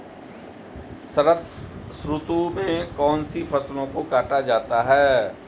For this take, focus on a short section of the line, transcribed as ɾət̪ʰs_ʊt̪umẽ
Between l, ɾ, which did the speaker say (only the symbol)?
ɾ